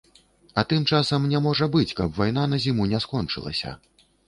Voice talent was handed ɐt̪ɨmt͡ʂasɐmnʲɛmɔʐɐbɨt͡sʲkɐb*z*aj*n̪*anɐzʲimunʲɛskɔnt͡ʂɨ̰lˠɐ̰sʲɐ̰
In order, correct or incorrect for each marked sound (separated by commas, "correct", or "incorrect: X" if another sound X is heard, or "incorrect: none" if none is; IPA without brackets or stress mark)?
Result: incorrect: v, correct